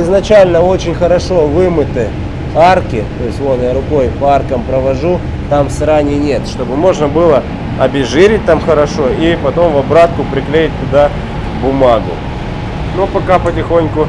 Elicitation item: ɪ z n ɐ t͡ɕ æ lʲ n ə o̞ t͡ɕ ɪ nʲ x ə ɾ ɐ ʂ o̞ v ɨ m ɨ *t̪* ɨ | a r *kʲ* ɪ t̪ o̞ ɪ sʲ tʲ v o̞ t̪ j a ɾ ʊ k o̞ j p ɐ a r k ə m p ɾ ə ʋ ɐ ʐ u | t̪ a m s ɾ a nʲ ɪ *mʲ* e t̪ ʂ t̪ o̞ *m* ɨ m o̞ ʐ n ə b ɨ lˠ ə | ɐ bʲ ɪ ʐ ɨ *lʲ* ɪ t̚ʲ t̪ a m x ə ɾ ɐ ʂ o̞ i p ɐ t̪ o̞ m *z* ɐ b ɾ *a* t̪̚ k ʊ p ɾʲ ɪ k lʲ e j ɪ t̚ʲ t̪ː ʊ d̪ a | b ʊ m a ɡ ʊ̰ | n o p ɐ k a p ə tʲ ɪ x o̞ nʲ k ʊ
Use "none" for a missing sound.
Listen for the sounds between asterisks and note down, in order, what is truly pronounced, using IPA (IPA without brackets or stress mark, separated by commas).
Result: t̪, kʲ, nʲ, b, ɾʲ, v, a